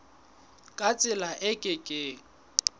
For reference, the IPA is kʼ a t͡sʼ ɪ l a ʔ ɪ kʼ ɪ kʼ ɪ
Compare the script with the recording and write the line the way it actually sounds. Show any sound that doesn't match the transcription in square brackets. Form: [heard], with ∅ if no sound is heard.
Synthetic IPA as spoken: kʼ a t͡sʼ ɪ l a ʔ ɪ kʼ ɪ kʼ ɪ